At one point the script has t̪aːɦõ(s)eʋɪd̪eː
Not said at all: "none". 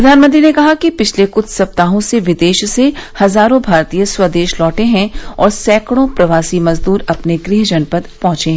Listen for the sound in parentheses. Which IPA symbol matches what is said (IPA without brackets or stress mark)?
s